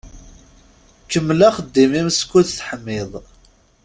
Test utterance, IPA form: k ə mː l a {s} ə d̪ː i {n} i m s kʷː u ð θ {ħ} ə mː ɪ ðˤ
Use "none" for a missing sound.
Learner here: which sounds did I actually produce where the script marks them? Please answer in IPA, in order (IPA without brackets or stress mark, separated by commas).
χ, m, ħ